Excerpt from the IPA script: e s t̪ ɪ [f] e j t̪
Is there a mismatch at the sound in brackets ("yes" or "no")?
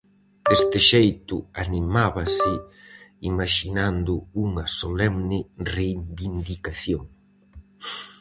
yes